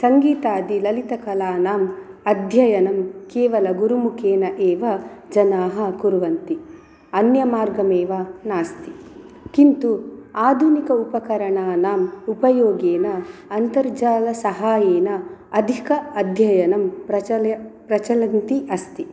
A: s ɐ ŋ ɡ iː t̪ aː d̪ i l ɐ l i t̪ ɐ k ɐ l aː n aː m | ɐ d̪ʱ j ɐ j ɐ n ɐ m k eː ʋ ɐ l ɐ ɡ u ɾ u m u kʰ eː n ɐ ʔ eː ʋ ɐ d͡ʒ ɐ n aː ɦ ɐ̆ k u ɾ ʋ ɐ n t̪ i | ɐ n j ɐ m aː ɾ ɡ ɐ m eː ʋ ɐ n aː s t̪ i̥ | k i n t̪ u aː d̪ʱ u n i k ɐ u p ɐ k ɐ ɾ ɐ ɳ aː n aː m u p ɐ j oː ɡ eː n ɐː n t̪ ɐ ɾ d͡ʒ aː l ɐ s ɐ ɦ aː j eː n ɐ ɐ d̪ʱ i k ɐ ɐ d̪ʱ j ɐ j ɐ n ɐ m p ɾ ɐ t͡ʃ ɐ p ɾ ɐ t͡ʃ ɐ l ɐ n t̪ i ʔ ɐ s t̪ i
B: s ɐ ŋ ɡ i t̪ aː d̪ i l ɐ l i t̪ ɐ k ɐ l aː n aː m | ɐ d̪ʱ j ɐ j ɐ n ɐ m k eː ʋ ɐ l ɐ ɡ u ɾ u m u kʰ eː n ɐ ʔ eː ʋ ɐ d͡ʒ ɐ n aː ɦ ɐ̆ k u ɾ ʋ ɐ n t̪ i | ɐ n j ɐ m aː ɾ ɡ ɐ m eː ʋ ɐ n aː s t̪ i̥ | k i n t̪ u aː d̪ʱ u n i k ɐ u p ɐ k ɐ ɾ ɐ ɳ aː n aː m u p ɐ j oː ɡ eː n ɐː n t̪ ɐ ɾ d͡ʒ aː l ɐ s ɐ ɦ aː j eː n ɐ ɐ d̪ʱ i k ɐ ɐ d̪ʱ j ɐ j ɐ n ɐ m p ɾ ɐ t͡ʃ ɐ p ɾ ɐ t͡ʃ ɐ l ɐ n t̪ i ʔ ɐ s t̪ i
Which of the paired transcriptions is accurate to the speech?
A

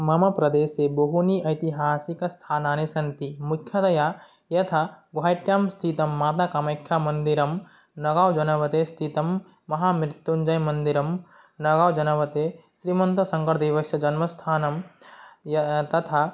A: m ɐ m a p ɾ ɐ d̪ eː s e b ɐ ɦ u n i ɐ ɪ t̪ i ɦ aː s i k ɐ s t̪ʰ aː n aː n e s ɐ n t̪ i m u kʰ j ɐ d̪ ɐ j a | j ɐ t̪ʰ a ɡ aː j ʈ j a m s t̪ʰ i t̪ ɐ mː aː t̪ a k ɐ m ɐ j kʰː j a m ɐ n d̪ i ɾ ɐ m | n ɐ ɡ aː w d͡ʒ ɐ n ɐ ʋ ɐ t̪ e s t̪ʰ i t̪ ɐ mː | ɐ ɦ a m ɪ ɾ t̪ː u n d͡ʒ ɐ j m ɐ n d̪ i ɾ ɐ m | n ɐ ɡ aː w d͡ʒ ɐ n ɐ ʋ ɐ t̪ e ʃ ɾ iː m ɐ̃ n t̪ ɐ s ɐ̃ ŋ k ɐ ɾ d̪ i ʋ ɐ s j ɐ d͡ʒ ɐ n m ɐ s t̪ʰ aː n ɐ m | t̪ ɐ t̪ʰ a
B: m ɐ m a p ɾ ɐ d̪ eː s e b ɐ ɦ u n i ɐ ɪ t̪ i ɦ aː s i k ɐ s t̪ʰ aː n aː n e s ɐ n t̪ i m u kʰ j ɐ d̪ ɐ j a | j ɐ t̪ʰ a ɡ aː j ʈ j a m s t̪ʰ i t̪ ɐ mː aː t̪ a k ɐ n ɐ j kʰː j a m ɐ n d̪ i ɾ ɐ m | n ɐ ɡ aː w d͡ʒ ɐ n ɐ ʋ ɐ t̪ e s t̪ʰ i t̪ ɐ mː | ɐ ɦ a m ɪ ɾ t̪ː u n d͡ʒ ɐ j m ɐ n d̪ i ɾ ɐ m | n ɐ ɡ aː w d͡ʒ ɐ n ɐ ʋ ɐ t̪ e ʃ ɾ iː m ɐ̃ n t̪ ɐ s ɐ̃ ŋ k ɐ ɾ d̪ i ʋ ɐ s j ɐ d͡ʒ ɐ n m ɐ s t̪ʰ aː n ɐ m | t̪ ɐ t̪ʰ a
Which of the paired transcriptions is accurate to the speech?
A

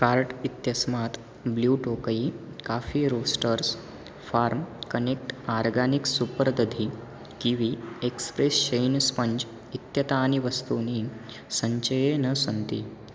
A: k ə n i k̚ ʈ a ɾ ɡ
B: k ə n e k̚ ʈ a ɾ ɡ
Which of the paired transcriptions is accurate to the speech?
B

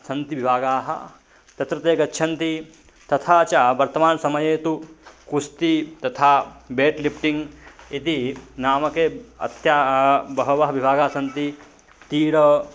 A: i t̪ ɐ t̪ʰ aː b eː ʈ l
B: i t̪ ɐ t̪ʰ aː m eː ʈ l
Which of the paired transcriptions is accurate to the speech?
A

